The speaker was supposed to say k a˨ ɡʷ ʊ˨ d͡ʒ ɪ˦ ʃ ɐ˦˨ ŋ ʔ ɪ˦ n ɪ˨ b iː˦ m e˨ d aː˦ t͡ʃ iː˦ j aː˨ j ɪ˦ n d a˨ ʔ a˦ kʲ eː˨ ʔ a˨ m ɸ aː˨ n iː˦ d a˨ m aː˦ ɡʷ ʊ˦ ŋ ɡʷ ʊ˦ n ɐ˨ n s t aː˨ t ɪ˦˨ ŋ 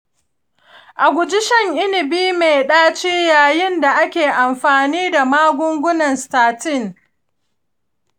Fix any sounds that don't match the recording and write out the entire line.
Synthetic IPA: ʔ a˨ ɡʷ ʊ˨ d͡ʒ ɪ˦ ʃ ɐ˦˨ ŋ ʔ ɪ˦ n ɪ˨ b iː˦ m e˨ ɗ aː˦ t͡ʃ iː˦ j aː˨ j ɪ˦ n d a˨ ʔ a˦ kʲ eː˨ ʔ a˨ m ɸ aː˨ n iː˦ d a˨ m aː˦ ɡʷ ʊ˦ ŋ ɡʷ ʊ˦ n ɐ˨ n s t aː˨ t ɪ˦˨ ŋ

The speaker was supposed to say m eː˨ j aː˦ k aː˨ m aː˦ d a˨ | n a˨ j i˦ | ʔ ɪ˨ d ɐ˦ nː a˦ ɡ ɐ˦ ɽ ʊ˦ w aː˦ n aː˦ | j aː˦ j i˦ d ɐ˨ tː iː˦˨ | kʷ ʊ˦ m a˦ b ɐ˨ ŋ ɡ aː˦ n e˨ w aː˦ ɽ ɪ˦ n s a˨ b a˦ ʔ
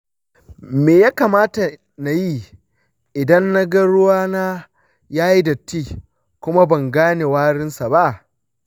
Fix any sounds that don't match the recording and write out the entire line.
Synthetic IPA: m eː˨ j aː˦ k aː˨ m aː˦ t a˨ | n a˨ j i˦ | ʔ ɪ˨ d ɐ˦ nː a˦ ɡ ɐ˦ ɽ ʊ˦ w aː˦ n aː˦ | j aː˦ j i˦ d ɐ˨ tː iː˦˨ | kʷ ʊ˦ m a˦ b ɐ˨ ŋ ɡ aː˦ n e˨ w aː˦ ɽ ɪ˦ n s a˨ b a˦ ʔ

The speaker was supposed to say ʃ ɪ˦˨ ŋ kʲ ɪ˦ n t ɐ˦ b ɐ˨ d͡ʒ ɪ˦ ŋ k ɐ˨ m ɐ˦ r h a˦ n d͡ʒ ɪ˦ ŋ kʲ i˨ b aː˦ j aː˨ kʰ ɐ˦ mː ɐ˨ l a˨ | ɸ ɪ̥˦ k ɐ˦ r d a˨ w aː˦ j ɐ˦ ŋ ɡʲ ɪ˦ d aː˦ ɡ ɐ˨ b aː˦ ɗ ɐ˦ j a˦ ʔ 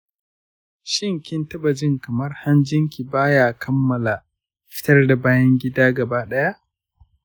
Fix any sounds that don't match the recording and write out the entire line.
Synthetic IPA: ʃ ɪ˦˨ ŋ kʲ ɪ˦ n t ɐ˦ b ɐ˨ d͡ʒ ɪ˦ ŋ k ɐ˨ m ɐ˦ r h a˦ n d͡ʒ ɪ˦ ŋ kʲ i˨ b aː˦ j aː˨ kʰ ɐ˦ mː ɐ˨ l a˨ | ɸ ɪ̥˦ t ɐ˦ r d a˨ b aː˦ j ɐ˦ ŋ ɡʲ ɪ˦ d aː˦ ɡ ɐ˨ b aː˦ ɗ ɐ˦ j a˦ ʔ

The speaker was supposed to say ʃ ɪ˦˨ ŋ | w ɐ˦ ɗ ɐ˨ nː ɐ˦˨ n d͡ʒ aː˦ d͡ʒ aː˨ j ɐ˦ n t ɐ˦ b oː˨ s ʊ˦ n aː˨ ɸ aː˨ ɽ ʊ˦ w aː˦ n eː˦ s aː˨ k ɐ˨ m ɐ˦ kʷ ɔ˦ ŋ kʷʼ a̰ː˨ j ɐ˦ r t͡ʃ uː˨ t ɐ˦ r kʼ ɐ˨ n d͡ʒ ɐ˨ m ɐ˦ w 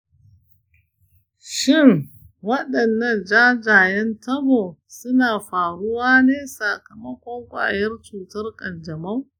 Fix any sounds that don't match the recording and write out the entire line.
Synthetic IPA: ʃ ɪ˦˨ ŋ | w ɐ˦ ɗ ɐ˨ nː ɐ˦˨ n d͡ʒ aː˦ d͡ʒ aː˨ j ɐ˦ n t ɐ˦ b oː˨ s ʊ˦ n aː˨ ɸ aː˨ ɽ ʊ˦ w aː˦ n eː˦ s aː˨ k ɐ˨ m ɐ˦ kʷ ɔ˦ ŋ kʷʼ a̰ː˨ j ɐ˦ r t͡ʃ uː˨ t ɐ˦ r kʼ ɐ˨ n d͡ʒ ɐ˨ m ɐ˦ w

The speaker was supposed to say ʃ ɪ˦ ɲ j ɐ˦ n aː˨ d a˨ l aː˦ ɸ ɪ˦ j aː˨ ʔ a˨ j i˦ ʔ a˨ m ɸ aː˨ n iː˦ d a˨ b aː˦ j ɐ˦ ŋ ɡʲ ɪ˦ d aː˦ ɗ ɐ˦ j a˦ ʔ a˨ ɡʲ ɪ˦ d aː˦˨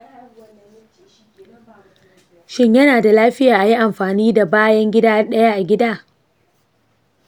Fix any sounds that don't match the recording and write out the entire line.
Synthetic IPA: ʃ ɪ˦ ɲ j ɐ˦ n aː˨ d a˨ l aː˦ ɸ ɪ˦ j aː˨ ʔ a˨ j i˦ ʔ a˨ m ɸ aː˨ n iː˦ d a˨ b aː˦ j ɐ˦ ŋ ɡʲ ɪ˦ d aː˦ ɗ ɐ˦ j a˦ ʔ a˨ ɡʲ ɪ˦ d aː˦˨

